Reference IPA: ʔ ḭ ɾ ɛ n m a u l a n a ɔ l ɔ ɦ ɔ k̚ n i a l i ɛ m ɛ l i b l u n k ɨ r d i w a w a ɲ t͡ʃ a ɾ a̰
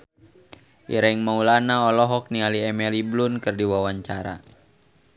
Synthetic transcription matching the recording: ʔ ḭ ɾ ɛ ŋ m a u l a n a ɔ l ɔ ɦ ɔ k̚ n i a l i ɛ m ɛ l i b l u n k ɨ r d i w a w a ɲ t͡ʃ a ɾ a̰